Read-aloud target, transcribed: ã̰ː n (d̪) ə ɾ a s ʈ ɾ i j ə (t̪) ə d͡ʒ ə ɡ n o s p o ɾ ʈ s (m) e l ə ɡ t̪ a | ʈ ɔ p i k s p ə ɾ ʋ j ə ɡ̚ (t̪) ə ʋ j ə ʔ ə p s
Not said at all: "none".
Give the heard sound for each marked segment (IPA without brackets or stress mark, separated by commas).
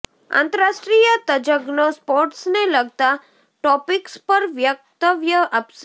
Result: t̪, t̪, n, t̪